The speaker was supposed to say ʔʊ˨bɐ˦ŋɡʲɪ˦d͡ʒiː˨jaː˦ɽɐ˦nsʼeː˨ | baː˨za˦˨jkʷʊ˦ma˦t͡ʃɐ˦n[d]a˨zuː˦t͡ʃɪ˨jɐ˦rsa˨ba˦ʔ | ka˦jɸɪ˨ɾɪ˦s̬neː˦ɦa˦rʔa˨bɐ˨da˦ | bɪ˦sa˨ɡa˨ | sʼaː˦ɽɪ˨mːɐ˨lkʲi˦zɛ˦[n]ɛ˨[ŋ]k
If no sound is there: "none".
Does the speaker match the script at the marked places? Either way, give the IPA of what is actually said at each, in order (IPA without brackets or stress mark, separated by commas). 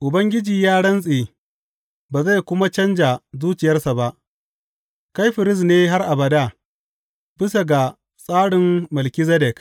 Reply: d͡ʒ, d, none